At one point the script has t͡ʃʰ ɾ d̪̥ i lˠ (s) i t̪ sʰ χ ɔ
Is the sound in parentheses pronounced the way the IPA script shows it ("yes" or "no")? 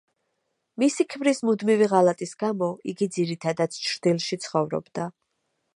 no